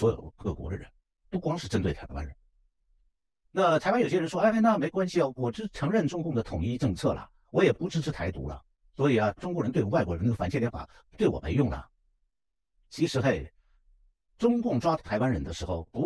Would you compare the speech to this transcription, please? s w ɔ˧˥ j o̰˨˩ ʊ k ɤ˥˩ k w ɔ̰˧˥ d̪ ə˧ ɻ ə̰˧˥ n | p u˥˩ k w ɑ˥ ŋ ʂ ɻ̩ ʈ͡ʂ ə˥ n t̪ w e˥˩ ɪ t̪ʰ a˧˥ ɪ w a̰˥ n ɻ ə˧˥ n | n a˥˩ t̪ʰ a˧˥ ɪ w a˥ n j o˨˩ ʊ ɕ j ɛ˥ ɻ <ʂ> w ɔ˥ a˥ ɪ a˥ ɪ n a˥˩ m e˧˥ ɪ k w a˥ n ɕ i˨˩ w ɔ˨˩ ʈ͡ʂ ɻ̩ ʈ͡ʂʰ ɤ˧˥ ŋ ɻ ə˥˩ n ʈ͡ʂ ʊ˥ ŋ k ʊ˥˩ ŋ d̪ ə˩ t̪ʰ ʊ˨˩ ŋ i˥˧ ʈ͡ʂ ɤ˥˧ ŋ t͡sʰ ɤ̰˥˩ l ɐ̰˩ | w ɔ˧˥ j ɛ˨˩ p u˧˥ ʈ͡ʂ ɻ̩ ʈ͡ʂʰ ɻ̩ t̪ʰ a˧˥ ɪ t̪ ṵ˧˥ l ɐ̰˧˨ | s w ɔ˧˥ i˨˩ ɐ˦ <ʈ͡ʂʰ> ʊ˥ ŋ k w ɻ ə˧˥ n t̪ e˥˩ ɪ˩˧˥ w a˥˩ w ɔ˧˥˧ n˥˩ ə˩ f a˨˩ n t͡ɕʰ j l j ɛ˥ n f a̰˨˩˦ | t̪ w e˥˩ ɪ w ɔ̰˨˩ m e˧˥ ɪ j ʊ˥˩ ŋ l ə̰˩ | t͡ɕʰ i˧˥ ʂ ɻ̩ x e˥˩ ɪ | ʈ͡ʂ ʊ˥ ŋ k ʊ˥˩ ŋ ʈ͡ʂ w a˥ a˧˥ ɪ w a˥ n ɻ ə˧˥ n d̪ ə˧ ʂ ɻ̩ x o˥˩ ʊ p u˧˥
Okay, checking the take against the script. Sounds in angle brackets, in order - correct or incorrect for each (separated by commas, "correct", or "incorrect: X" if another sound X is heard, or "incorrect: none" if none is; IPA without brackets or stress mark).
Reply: correct, incorrect: ʈ͡ʂ